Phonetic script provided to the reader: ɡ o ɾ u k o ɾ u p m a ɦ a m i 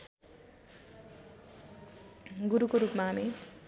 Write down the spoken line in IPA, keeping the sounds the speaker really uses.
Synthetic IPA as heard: ɡ u ɾ u k o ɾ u p m a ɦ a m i